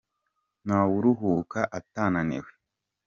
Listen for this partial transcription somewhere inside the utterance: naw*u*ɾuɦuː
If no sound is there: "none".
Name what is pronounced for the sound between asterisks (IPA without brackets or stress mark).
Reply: u